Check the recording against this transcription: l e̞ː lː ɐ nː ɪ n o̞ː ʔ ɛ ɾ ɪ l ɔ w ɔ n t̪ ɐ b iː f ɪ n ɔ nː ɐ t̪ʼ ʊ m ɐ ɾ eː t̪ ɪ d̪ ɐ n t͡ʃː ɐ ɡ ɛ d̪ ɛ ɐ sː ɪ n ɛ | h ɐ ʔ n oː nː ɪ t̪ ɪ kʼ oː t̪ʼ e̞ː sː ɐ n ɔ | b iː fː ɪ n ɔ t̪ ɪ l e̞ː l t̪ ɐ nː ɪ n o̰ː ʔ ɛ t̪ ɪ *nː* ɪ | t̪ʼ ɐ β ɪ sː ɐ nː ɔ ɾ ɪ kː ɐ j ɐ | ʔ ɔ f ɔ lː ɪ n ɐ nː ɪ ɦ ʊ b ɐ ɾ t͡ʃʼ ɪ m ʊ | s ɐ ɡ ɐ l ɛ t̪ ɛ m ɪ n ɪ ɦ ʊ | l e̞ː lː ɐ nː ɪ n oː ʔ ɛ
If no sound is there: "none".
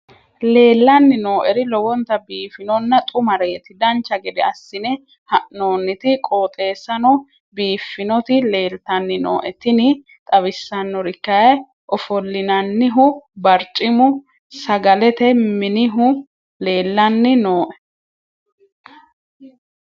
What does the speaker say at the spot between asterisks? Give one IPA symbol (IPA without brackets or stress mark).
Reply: n